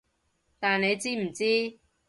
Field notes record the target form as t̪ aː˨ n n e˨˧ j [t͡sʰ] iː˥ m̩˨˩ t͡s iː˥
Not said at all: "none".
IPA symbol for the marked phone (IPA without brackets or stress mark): t͡s